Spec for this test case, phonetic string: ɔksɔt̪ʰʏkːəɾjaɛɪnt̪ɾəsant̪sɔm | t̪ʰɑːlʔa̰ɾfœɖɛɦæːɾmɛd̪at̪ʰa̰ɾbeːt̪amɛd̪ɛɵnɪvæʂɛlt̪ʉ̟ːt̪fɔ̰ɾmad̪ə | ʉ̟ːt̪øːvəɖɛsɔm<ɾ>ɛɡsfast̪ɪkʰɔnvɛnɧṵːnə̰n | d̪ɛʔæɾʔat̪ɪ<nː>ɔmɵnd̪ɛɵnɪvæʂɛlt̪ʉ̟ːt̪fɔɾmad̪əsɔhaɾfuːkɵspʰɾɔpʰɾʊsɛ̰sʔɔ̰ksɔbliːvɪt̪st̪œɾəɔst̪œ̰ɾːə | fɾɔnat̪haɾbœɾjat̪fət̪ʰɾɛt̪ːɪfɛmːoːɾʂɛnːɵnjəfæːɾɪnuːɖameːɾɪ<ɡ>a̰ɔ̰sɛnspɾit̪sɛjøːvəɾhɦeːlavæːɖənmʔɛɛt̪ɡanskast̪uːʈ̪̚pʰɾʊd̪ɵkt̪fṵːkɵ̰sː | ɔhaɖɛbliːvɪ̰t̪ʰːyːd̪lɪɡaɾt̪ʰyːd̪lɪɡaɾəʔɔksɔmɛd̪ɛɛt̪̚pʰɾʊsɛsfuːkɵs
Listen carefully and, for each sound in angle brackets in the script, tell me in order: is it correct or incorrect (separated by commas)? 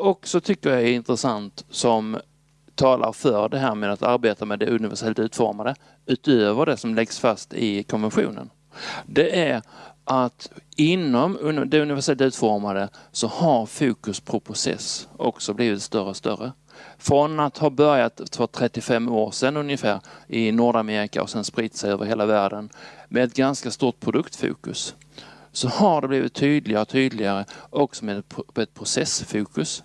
incorrect, correct, incorrect